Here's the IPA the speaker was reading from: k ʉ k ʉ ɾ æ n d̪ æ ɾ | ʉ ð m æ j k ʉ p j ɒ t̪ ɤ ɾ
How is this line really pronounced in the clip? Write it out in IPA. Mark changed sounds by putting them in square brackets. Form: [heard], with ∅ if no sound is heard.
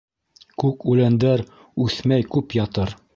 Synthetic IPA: k ʉ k ʉ [l] æ n d̪ æ ɾ | ʉ [θ] m æ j k ʉ p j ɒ t̪ ɤ ɾ